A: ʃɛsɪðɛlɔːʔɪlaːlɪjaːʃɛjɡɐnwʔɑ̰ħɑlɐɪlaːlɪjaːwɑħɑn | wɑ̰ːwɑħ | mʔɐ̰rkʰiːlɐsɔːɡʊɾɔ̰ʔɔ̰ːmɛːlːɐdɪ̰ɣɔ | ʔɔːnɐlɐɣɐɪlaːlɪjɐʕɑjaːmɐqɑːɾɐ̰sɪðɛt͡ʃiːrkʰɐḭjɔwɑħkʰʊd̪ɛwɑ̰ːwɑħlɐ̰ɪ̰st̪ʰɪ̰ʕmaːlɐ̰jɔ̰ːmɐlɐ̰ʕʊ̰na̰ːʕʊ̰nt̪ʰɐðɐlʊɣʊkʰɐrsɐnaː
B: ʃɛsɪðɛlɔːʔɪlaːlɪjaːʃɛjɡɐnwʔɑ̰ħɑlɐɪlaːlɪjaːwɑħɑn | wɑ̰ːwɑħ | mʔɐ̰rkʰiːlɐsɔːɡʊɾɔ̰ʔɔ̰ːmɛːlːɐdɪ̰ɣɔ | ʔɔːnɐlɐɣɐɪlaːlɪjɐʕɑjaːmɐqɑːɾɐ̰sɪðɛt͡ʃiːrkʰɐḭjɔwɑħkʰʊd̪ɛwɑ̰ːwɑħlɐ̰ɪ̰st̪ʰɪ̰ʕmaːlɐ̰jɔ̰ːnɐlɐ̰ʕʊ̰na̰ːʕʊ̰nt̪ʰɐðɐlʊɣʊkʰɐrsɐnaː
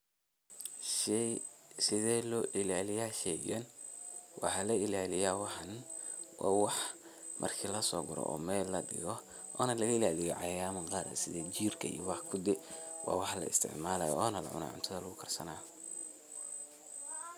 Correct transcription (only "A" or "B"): B